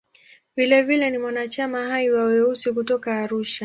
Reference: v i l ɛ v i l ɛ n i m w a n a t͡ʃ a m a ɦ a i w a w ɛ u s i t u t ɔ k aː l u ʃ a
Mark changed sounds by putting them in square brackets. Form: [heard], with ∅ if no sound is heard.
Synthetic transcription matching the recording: v i l ɛ v i l ɛ n i m w a n a t͡ʃ a m a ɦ a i w a w ɛ u s i [k] u t ɔ k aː [ɾ] u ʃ a